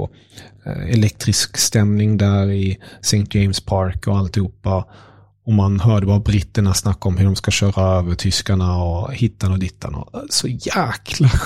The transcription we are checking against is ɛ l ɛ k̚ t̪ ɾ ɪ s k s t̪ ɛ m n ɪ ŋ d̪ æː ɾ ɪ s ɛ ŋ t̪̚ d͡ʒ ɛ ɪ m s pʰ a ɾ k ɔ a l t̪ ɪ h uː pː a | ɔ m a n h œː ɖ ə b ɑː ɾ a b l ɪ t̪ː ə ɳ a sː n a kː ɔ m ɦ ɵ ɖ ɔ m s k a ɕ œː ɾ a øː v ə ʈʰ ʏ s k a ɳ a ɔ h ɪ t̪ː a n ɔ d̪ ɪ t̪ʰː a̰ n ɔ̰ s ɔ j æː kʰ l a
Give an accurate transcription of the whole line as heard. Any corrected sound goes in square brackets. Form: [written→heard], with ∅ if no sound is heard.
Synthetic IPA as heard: ɛ l ɛ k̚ t̪ ɾ ɪ s k s t̪ ɛ m n ɪ ŋ d̪ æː ɾ ɪ s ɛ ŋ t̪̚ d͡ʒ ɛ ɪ m s pʰ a ɾ k ɔ a l t̪ ɪ h uː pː a | ɔ m a n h œː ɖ ə b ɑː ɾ a b [l→ɾ] ɪ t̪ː ə ɳ a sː n a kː ɔ m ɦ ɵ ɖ ɔ m s k a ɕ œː ɾ a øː v ə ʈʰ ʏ s k a ɳ a ɔ h ɪ t̪ː a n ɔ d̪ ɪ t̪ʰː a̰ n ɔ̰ s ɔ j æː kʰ l a